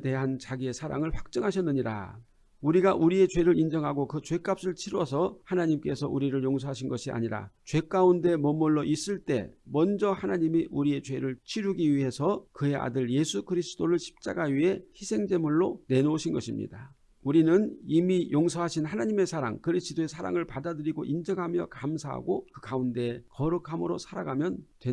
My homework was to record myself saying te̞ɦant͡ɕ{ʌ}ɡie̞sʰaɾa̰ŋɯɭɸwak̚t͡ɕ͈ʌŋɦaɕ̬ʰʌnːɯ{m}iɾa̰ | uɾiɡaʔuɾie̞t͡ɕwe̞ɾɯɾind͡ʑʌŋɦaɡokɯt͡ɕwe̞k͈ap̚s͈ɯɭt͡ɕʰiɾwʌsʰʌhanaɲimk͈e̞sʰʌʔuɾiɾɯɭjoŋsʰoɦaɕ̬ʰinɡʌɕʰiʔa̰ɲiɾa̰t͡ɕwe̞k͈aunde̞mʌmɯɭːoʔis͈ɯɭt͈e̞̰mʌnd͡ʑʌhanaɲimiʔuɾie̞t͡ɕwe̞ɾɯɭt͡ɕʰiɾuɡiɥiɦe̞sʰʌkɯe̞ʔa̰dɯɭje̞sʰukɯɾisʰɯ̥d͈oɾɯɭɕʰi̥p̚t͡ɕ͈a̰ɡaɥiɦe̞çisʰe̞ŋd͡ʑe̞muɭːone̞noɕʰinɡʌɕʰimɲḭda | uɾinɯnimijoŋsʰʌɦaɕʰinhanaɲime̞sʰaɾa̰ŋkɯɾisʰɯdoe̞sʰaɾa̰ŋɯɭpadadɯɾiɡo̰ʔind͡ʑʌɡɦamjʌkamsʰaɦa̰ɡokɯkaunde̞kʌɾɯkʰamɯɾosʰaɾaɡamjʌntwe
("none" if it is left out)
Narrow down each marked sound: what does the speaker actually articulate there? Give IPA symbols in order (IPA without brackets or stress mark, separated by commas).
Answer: a, ɲ